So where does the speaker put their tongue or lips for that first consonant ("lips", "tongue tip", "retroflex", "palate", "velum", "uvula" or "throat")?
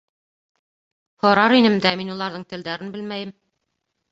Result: throat